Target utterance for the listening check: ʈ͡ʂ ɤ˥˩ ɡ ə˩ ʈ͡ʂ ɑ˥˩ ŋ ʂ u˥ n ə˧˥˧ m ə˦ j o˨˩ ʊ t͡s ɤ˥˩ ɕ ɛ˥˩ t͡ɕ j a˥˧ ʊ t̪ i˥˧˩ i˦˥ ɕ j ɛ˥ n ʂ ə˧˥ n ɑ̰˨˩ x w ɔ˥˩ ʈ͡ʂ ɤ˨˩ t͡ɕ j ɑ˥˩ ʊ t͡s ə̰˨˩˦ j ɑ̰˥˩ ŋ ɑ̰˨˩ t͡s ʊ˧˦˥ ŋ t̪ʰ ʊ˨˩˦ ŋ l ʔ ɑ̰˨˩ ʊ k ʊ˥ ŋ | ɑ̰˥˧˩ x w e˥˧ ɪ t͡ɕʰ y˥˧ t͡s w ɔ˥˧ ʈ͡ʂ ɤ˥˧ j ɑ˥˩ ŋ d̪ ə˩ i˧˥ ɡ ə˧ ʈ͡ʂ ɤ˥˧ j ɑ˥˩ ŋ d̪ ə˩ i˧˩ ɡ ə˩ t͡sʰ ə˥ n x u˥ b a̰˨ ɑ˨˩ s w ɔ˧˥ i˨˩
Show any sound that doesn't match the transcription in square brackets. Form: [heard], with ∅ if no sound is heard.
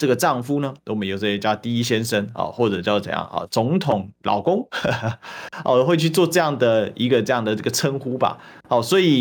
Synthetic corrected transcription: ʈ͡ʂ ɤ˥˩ ɡ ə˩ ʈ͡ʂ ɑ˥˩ ŋ [f] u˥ n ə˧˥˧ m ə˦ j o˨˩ ʊ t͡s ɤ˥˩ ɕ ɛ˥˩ t͡ɕ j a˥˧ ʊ t̪ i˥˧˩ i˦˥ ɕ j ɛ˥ n ʂ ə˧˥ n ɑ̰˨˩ x w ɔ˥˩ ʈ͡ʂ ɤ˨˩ t͡ɕ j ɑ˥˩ ʊ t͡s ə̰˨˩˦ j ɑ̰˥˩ ŋ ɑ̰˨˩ t͡s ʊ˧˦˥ ŋ t̪ʰ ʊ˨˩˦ ŋ l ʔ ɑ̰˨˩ ʊ k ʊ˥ ŋ | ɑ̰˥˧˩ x w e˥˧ ɪ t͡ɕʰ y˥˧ t͡s w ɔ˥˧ ʈ͡ʂ ɤ˥˧ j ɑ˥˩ ŋ d̪ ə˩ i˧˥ ɡ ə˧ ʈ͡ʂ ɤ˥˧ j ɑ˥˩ ŋ d̪ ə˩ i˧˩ ɡ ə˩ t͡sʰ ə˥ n x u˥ b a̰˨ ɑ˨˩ s w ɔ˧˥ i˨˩